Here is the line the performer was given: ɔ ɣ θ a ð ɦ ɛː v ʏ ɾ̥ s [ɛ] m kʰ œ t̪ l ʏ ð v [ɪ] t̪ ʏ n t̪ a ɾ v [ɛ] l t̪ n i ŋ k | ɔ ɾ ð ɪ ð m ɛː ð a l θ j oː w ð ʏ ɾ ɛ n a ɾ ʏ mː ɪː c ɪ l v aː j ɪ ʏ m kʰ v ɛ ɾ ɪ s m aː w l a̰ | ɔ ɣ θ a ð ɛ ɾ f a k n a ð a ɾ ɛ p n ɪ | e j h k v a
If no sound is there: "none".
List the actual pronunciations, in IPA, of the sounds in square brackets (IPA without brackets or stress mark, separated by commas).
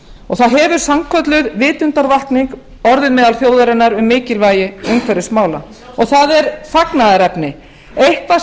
a, ɪː, a